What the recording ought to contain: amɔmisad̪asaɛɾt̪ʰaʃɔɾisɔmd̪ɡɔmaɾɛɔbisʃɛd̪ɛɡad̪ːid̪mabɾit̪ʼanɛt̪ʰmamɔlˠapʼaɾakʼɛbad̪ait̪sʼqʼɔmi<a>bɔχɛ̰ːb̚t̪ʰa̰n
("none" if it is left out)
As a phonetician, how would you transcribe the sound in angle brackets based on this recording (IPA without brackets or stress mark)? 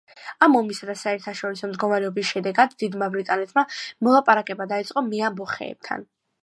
a